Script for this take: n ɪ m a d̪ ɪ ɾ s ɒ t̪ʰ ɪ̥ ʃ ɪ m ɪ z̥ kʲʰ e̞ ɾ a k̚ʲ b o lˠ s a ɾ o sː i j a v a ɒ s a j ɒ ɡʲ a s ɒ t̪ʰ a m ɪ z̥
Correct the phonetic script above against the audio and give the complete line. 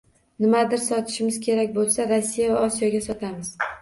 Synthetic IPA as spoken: n ɪ m a d̪ ɪ ɾ s ɒ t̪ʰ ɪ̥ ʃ ɪ m ɪ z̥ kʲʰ e̞ ɾ a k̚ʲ b o lˠ s a ɾ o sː i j a v a ɒ s i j ɒ ɡʲ a s ɒ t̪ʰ a m ɪ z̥